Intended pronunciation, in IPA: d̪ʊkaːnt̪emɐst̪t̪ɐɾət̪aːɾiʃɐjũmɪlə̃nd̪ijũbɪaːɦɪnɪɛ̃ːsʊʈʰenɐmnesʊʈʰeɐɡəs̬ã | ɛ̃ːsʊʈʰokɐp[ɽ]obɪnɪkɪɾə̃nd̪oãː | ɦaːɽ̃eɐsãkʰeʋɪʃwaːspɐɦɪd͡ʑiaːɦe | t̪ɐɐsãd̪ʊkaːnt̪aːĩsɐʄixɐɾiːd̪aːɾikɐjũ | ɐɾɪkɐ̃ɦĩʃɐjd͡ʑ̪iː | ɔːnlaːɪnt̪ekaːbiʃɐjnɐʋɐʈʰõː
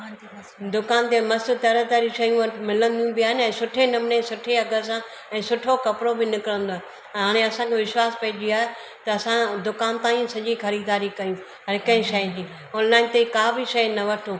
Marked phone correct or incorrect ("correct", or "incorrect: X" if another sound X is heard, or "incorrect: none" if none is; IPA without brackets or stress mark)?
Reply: incorrect: ɾ